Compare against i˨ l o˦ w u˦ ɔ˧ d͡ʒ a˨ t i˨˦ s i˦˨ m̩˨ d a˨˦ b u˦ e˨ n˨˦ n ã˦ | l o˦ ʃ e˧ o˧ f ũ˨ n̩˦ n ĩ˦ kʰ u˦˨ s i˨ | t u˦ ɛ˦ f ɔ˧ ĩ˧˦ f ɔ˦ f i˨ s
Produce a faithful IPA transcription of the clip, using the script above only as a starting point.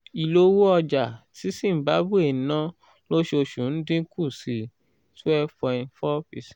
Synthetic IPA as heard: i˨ l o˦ w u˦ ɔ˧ d͡ʒ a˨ t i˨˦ s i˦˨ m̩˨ b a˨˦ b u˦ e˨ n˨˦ n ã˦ | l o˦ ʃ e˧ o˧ ʃ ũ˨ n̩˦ d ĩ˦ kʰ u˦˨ s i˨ | t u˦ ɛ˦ f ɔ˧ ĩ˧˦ f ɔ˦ f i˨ s